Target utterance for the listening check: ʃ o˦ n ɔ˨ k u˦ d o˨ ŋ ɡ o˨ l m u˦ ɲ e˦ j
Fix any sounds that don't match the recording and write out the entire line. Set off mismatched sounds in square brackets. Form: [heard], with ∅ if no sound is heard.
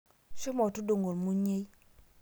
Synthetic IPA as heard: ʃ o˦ [m] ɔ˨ [t] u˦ d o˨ ŋ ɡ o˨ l m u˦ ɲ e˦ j